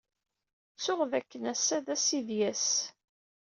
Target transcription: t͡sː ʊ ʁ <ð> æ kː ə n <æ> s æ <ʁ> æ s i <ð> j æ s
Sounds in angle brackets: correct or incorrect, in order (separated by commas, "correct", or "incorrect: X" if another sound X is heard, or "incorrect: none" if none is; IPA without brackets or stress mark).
correct, correct, incorrect: ð, correct